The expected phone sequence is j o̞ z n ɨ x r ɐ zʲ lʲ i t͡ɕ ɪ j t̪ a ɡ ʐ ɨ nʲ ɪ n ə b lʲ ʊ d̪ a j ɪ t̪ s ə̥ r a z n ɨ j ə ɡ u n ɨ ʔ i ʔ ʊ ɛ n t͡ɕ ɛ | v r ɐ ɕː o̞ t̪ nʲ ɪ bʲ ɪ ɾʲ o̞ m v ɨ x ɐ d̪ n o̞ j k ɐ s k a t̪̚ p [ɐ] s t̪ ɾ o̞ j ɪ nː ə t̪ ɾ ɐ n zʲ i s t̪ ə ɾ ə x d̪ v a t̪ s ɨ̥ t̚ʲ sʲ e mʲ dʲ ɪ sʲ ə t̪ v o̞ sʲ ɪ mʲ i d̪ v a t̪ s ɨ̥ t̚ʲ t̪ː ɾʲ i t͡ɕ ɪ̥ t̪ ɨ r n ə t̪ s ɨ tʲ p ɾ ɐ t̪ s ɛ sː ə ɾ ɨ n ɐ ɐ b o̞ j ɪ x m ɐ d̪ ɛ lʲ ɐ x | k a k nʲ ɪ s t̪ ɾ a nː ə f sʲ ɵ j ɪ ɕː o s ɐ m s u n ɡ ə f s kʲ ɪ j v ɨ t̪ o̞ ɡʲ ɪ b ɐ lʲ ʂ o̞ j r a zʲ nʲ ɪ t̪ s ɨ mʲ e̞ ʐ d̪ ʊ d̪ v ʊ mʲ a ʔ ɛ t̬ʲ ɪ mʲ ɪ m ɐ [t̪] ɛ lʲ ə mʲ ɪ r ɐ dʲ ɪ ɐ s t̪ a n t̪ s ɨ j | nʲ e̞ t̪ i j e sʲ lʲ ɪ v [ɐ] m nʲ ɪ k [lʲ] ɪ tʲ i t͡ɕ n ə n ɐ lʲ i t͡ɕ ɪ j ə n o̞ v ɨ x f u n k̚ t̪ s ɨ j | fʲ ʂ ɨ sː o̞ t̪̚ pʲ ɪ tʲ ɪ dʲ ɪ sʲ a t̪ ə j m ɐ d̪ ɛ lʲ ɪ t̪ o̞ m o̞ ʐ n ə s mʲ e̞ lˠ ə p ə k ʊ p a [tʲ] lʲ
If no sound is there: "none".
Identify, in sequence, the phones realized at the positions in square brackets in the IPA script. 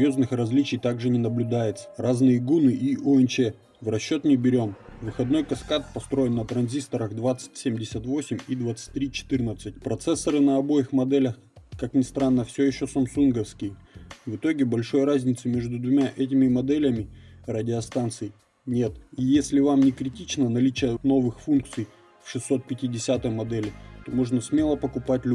ɐ, d̪, a, ɾʲ, tʲ

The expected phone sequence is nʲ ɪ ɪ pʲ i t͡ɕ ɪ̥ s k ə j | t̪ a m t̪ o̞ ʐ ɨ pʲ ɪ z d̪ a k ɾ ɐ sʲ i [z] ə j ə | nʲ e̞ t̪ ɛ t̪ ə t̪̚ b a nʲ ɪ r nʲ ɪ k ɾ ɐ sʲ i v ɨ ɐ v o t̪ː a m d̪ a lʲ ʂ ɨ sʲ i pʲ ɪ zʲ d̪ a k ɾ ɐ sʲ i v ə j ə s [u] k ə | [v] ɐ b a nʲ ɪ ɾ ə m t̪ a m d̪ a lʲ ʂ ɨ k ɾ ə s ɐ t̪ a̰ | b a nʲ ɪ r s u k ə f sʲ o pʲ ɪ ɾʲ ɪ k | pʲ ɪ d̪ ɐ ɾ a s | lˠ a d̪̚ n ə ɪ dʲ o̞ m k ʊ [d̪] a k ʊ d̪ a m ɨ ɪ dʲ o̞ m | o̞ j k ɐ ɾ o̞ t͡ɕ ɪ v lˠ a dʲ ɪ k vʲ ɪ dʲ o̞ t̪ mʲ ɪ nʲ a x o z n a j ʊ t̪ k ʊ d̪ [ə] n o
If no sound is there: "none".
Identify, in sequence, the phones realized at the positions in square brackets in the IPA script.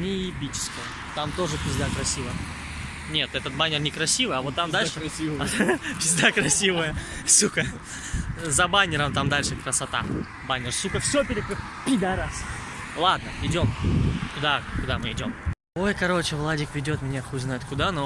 v, u, z, d̪, a

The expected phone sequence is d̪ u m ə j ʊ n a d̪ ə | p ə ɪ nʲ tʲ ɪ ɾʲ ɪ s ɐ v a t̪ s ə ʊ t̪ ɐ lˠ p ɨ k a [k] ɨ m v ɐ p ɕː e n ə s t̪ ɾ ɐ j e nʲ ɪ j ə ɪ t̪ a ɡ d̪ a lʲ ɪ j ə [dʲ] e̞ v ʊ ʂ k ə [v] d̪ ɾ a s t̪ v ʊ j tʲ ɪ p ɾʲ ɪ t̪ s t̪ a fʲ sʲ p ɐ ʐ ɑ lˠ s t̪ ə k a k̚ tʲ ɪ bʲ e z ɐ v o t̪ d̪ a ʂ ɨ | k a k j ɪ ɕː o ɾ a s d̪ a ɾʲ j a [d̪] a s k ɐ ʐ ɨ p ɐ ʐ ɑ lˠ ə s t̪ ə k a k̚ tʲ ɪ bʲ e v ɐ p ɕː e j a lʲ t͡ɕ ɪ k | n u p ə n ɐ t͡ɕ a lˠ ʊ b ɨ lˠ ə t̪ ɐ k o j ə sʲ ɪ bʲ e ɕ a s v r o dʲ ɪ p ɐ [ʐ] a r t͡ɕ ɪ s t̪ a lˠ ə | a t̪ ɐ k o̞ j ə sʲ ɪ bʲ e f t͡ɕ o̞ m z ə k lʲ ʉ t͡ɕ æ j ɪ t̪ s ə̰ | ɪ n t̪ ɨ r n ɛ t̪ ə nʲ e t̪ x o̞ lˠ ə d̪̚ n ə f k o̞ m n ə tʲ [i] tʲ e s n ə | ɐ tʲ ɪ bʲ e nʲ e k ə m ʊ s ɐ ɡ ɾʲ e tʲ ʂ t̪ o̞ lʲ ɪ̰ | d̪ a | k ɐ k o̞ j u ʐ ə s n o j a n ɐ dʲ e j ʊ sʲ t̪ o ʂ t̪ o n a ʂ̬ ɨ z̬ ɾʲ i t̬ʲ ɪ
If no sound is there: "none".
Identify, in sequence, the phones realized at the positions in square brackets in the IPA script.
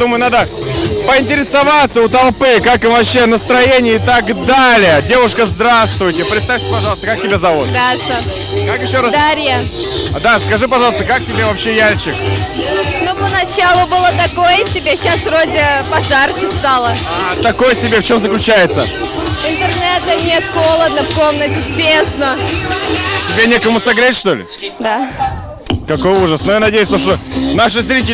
k, dʲ, z, d̪, ʐ, ɪ

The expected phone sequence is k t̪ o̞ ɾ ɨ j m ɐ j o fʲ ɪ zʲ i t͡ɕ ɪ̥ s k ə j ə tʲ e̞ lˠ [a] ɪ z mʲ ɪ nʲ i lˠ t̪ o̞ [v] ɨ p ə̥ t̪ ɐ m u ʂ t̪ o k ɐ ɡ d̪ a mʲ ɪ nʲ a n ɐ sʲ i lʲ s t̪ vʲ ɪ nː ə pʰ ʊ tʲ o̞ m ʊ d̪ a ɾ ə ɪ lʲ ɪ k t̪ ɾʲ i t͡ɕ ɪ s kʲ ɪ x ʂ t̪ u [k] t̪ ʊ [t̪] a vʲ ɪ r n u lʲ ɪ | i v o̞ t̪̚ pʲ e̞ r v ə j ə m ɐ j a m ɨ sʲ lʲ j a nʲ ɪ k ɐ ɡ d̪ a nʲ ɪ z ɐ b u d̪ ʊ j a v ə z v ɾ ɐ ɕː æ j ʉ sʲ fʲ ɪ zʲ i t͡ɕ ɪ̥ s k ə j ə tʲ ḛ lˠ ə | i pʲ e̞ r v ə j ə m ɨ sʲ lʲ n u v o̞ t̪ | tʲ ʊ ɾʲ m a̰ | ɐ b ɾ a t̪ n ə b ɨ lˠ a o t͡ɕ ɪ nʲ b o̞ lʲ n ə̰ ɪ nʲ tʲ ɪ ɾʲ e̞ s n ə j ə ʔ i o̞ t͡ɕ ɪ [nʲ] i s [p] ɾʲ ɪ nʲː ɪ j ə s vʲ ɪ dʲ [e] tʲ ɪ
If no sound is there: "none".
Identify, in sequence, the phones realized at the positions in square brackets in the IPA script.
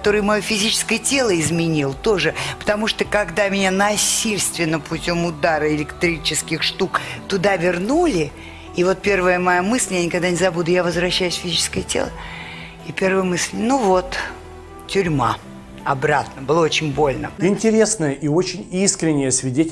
ə, ʐ, k, d̪, nʲ, k, e

